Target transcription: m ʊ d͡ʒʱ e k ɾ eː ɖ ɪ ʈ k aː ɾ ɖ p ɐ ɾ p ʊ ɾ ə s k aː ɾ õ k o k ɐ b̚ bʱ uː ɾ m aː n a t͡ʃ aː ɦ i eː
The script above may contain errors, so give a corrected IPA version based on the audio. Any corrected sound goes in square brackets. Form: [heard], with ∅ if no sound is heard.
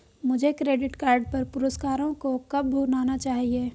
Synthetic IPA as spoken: m ʊ d͡ʒʱ e k ɾ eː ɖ ɪ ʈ k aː ɾ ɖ p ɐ ɾ p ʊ ɾ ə s k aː ɾ õ k o k ɐ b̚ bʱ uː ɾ [n] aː n a t͡ʃ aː ɦ i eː